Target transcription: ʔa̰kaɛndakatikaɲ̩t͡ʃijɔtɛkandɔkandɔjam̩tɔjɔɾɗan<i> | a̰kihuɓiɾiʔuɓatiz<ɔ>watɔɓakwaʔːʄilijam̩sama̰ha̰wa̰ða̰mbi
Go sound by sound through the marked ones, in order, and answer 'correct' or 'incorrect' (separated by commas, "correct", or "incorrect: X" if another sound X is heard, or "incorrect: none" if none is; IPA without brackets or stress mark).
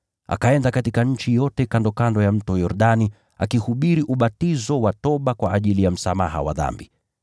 correct, correct